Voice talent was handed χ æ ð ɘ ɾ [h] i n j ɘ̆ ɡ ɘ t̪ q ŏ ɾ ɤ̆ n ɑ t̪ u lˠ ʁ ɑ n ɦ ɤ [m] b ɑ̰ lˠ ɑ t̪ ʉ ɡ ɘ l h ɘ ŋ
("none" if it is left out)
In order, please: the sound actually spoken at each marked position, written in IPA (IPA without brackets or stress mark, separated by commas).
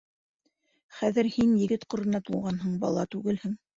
h, ɴ